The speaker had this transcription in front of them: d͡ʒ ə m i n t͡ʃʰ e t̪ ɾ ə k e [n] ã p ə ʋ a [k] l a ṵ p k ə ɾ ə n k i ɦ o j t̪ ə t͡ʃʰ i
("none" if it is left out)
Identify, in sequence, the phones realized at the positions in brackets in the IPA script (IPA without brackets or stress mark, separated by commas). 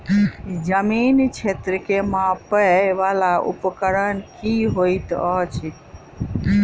m, none